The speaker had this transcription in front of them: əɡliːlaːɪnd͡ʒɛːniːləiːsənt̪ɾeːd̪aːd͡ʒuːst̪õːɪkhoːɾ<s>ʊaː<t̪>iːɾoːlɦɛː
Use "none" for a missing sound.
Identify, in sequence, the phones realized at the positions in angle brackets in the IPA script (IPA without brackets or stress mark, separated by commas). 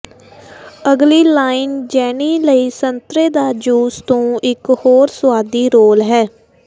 s, d̪